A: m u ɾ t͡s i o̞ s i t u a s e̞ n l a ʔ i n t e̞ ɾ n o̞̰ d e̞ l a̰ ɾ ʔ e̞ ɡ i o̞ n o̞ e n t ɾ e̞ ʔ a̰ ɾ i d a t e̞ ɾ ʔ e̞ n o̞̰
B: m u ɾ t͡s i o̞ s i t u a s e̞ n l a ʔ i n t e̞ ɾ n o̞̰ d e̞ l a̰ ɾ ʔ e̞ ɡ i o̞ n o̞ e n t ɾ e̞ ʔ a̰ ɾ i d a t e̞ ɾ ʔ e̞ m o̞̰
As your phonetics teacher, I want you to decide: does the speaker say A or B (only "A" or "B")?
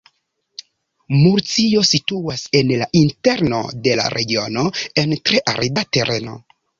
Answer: A